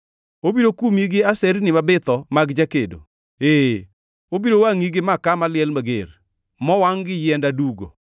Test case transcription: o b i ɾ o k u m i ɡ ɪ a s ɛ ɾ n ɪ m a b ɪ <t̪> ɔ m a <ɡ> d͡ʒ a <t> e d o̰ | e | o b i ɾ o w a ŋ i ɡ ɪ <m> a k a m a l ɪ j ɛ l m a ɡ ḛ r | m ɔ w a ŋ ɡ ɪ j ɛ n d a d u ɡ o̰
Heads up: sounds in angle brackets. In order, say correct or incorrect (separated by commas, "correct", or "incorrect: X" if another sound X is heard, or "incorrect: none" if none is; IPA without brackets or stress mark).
correct, correct, incorrect: k, correct